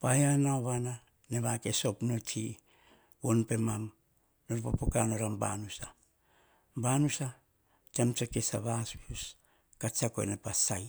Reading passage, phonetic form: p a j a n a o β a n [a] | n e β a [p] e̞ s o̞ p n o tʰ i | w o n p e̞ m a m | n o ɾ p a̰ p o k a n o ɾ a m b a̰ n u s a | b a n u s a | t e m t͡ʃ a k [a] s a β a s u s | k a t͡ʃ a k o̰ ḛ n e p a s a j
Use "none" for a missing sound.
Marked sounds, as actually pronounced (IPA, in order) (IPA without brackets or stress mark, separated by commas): a, k, e